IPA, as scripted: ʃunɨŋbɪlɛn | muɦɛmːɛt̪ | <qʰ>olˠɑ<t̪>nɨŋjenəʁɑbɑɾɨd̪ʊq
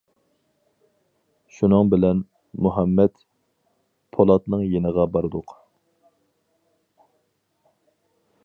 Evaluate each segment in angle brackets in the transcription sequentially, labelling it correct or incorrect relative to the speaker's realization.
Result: incorrect, correct

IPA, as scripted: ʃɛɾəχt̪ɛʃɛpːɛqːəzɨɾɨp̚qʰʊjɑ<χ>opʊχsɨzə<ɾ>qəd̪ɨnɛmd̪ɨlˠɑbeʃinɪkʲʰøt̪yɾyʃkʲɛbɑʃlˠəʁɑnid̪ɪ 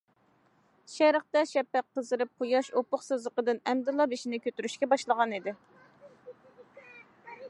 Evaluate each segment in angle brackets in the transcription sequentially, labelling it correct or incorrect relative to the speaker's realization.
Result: incorrect, incorrect

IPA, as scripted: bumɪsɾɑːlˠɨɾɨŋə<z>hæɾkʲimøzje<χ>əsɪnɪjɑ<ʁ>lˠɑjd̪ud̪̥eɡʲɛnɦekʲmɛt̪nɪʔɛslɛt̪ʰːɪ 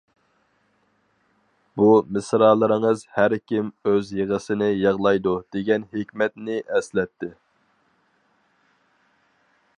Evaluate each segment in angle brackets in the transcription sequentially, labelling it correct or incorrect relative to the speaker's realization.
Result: correct, incorrect, correct

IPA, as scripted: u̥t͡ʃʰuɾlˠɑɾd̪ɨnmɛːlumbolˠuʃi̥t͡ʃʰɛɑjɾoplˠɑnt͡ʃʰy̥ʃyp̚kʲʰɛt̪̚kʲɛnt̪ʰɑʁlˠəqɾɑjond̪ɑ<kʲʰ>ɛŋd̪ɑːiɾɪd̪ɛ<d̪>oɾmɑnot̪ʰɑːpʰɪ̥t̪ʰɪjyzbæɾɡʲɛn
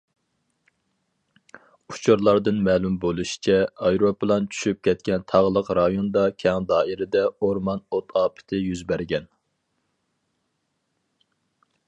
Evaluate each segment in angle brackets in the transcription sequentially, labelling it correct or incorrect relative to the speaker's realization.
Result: correct, incorrect

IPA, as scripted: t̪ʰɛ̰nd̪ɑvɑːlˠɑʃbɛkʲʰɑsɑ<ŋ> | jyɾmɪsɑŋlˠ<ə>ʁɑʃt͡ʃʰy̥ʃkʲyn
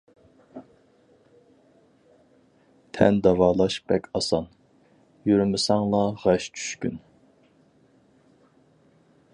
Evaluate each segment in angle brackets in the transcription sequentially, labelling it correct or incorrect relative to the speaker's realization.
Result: incorrect, incorrect

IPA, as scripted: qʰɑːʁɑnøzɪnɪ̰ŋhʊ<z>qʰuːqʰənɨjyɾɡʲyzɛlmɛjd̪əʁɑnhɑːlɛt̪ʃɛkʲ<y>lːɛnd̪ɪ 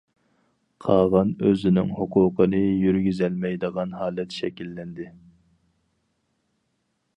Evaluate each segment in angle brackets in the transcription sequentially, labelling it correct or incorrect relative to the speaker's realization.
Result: incorrect, incorrect

